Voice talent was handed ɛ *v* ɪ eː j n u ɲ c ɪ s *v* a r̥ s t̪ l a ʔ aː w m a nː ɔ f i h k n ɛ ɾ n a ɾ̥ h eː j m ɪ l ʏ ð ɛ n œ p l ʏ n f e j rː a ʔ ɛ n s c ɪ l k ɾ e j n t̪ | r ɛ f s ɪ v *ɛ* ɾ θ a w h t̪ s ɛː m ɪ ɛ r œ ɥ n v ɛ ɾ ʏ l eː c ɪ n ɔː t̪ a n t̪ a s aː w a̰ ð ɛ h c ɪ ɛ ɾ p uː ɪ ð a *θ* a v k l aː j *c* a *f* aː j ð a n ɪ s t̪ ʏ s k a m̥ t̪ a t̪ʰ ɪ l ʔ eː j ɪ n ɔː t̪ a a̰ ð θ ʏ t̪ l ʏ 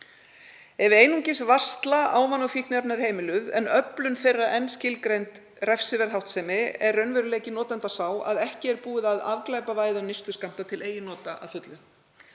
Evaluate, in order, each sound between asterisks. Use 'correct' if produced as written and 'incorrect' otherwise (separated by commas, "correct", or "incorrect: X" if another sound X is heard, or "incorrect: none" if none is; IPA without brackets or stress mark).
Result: correct, correct, correct, incorrect: ð, incorrect: p, incorrect: v